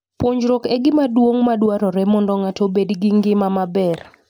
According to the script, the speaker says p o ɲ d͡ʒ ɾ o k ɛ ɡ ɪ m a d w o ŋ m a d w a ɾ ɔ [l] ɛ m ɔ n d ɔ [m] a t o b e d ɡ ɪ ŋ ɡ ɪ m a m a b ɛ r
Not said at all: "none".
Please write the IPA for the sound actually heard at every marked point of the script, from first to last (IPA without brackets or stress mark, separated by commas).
ɾ, ŋ